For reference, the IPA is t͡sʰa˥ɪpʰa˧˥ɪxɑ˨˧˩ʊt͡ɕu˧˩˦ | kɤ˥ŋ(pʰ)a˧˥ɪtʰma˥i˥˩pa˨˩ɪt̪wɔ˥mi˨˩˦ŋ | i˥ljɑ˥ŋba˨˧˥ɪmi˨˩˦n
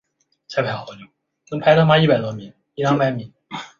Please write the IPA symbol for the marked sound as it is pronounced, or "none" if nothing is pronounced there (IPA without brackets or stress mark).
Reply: pʰ